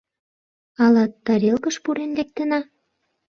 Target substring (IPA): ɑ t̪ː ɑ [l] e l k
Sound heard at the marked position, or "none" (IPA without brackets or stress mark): ɾ